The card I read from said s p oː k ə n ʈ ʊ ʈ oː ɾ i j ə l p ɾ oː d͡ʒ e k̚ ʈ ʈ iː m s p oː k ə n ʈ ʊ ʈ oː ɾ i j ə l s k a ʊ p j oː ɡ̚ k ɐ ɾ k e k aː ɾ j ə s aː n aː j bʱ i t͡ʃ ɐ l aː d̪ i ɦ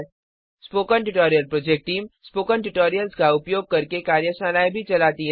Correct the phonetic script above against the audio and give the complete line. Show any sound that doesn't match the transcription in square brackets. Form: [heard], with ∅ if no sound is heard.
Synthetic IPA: s p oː k ə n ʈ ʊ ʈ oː ɾ i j ə l p ɾ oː d͡ʒ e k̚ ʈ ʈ iː m s p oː k ə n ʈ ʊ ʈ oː ɾ i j ə l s k a ʊ p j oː ɡ̚ k ɐ ɾ k e k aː ɾ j ə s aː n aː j bʱ i t͡ʃ ɐ l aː [t̪] i ɦ